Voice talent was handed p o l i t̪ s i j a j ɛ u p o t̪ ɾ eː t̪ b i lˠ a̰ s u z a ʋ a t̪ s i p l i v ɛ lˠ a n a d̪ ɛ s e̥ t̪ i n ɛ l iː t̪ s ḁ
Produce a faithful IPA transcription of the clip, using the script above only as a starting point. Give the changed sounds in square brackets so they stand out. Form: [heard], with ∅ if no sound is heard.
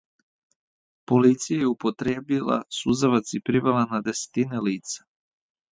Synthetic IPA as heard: p o l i t̪ s i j a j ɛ u p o t̪ ɾ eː [∅] b i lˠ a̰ s u z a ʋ a t̪ s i p [ɾ] i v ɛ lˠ a n a d̪ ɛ s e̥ t̪ i n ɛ l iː t̪ s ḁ